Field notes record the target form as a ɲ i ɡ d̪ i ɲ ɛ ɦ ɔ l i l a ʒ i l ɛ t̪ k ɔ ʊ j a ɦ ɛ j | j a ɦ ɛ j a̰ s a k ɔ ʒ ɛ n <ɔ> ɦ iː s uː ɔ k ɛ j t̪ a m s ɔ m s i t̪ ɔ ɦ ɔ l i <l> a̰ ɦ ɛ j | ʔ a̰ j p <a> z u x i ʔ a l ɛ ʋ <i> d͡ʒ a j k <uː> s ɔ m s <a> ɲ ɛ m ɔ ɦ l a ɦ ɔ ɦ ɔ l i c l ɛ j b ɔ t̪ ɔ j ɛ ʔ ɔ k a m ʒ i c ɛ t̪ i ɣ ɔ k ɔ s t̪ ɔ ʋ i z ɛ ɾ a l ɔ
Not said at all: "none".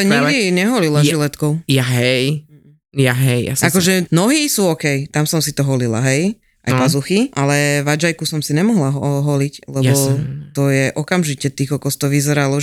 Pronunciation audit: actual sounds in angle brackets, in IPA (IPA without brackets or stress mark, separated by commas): ɔ, l, a, a, u, i